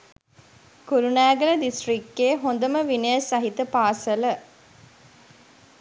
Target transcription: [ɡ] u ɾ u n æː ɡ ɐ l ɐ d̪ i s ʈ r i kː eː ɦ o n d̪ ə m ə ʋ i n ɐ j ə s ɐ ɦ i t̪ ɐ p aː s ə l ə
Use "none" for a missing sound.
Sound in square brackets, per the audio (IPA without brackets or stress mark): k